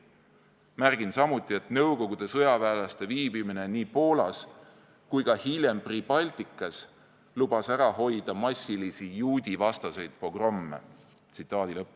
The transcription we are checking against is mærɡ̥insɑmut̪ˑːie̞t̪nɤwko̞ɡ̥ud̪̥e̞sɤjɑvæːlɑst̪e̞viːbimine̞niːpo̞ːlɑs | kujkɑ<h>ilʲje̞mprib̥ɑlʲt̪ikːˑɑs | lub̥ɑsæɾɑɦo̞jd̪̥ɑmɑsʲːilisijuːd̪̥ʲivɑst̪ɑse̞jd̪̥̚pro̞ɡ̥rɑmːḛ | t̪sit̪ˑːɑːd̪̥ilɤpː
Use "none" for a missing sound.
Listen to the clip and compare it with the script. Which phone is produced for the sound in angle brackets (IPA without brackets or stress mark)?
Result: h